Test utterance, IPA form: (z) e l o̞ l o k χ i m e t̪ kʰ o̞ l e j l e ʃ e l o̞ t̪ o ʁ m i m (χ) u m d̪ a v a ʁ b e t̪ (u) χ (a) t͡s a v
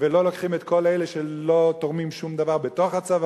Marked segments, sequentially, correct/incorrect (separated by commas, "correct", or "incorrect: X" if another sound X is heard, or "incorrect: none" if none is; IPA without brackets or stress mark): incorrect: v, incorrect: ʃ, incorrect: o, correct